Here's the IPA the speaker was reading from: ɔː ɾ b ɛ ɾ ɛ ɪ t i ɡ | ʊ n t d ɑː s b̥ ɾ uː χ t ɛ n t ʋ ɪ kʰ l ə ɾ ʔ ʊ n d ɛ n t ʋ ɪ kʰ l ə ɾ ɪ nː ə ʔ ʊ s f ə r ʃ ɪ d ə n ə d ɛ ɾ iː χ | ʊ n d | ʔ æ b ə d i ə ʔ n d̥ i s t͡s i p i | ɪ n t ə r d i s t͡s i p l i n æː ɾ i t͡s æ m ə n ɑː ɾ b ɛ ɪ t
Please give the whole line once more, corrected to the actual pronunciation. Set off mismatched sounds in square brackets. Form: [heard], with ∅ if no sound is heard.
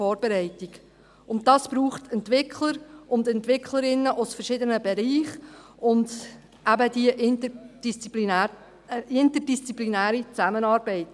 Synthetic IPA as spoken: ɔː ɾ b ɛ ɾ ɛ ɪ t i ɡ | ʊ n t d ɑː s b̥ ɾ uː χ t ɛ n t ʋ ɪ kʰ l ə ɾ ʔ ʊ n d ɛ n t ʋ ɪ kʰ l ə ɾ ɪ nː ə ʔ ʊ s f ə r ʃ ɪ d ə n ə [b] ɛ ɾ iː χ | ʊ n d | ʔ æ b ə d i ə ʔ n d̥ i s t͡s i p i | ɪ n t ə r d i s t͡s i p l i n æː ɾ i t͡s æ m ə n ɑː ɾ b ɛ ɪ t